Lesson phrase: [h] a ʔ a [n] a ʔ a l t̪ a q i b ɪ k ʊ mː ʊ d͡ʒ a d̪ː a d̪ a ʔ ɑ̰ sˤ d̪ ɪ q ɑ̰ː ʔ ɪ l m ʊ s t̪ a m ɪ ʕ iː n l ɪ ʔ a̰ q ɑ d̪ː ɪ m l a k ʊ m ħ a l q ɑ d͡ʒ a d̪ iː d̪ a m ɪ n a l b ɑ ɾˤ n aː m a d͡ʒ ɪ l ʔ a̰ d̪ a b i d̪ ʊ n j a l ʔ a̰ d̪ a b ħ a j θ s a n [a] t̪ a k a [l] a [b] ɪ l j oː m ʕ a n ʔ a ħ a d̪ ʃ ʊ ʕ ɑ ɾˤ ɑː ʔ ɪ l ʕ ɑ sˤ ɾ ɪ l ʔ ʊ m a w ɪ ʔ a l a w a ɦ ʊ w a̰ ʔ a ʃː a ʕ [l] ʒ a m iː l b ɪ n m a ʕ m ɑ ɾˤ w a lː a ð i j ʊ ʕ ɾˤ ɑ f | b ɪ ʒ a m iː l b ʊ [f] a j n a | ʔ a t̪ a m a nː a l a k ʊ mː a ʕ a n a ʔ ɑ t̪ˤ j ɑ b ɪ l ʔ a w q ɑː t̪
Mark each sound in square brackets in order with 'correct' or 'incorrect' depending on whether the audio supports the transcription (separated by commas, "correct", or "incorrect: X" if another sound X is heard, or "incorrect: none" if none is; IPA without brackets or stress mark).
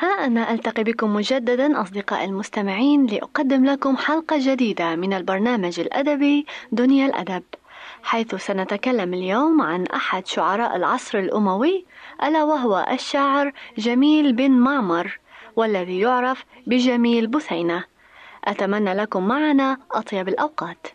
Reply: correct, correct, correct, incorrect: lː, incorrect: m, incorrect: ɾ, incorrect: θ